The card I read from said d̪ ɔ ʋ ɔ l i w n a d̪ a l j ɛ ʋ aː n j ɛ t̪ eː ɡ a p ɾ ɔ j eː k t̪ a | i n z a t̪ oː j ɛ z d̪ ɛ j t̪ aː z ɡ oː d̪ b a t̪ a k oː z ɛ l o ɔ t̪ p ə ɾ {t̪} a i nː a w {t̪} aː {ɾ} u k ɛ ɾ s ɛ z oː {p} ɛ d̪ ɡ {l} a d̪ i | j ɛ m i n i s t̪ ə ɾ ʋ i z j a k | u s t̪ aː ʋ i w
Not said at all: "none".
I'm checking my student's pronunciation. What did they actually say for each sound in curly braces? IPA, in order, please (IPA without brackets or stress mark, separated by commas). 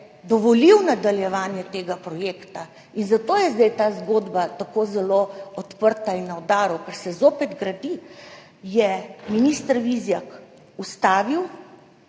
t̪, d̪, ɾ, p, ɾ